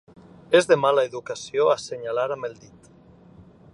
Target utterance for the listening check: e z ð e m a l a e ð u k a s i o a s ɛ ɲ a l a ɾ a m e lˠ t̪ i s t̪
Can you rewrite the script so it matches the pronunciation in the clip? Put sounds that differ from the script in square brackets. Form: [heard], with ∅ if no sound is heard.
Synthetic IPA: e z ð e m a l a e ð u k a s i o a s [e] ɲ a l a ɾ a m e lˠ [d̪] i [∅] t̪